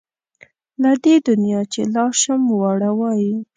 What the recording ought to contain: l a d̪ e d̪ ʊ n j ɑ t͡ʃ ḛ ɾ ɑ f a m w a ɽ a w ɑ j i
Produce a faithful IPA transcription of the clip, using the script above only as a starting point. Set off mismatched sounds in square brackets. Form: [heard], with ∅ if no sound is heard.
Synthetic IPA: l a d̪ e d̪ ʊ n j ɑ t͡ʃ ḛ [l] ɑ [ʃ] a m w a ɽ a w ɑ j i

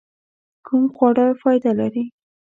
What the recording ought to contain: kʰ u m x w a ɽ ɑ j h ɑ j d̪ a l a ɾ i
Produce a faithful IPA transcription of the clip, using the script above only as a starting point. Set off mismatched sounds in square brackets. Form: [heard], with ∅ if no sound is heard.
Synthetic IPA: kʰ u m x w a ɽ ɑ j [f] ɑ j d̪ a l a ɾ i

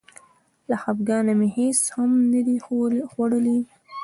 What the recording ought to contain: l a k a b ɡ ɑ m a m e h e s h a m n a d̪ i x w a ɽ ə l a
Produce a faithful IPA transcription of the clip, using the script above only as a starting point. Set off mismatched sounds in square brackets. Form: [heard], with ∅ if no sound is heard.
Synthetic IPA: l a [x] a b ɡ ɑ [n] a m e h e s h a m n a d̪ i x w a ɽ ə l [i]

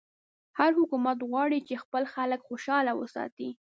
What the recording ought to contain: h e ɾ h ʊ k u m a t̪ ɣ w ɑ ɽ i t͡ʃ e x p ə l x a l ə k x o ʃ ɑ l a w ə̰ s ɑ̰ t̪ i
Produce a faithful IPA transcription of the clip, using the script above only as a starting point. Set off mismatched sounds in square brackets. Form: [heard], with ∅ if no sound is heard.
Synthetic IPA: h [a] ɾ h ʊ k u m a t̪ ɣ w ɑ ɽ i t͡ʃ e x p ə l x a l ə k x o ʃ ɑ l a w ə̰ s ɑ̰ t̪ i

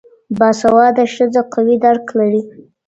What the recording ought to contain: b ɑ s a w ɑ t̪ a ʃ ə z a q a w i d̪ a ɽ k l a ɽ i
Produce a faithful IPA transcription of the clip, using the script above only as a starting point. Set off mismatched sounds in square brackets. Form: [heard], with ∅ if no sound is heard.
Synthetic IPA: b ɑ s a w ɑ [d̪] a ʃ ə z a q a w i d̪ a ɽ k l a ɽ i

